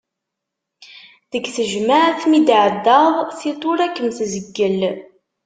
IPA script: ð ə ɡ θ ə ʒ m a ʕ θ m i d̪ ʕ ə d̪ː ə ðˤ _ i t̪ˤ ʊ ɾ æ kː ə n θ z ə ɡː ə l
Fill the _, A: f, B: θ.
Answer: B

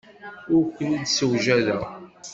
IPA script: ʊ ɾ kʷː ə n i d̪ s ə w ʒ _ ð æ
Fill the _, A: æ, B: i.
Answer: A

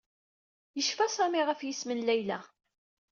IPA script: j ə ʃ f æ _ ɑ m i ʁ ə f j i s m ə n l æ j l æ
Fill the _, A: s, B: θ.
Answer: A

